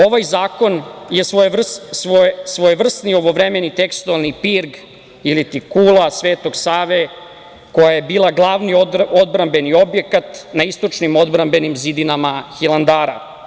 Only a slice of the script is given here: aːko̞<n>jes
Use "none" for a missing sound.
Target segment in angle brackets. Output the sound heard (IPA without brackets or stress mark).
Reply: n